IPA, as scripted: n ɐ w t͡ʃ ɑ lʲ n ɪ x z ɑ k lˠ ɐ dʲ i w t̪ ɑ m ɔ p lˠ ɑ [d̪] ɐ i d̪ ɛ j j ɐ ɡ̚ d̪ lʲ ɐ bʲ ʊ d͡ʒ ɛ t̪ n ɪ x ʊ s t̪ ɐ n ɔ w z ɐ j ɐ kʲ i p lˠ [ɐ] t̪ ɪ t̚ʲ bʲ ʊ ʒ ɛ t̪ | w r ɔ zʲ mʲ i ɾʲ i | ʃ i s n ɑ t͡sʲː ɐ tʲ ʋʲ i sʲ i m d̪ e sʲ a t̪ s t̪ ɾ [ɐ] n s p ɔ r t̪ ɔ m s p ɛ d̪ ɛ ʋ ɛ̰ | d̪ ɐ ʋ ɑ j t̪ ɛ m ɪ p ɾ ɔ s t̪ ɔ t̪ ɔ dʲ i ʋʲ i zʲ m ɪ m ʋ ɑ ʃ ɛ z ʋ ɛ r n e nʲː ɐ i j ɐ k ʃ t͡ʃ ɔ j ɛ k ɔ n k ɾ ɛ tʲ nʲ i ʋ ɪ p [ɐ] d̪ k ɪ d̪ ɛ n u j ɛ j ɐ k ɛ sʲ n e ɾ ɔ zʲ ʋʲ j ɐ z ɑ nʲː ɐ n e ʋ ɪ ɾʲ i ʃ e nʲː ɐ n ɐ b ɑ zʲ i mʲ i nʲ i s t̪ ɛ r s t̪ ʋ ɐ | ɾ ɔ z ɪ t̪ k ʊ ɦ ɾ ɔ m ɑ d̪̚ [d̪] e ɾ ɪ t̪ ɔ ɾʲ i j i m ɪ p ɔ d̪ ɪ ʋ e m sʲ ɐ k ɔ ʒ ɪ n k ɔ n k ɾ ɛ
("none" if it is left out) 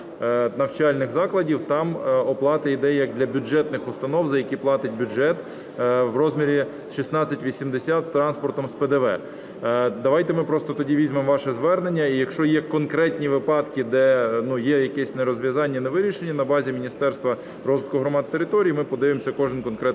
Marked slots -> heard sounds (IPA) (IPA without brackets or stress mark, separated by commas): t̪, ɑ, ɑ, ɑ, t̪